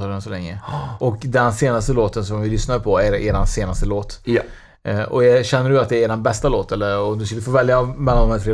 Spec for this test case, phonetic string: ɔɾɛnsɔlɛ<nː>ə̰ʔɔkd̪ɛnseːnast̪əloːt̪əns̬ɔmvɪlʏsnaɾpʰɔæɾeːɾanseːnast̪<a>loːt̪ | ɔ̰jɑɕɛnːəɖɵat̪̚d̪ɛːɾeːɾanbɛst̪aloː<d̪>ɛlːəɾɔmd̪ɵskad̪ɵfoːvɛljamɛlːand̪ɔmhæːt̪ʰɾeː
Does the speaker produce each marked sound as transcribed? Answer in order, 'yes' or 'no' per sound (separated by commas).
no, no, no